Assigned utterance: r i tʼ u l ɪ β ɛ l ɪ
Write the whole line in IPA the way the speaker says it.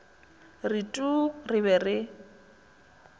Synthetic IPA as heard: r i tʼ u r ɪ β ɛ r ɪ